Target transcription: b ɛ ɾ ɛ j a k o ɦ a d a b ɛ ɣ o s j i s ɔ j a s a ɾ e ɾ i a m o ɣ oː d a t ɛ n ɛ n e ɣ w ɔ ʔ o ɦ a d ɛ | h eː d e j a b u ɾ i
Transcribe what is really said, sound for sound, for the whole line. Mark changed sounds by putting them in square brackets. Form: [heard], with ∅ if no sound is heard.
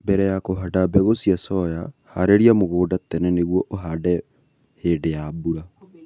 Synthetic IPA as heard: b ɛ ɾ ɛ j a k o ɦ a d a b ɛ ɣ o s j [a] s ɔ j a [h] a ɾ e ɾ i a m o ɣ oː d a t ɛ n ɛ n e ɣ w ɔ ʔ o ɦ a d ɛ | h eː d e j a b u ɾ [a]